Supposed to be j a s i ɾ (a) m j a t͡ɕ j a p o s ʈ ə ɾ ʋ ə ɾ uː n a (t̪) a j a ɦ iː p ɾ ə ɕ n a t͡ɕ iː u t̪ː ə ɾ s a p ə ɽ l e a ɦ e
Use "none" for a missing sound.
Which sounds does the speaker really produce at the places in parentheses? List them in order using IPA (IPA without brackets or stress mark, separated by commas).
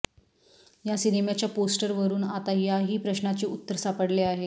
i, t̪